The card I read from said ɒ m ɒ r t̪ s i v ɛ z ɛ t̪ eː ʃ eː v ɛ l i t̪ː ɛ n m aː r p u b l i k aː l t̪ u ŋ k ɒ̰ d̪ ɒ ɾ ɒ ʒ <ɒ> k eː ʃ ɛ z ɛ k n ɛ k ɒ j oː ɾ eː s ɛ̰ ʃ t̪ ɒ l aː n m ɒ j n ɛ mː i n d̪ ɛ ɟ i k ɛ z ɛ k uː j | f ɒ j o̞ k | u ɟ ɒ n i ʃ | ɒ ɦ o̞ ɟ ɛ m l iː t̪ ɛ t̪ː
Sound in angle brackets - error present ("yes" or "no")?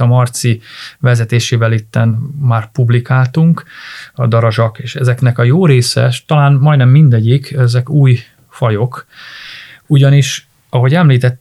no